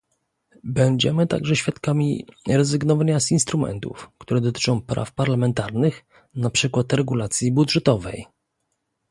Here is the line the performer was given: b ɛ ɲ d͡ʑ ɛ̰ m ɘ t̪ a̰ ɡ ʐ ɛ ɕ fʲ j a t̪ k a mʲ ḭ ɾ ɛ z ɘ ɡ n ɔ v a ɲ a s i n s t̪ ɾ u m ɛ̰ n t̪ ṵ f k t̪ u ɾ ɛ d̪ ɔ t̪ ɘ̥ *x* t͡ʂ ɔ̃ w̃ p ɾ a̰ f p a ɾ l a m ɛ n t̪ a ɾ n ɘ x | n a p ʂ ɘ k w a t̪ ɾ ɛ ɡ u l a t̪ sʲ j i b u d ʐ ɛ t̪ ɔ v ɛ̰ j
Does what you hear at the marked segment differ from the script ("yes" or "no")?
yes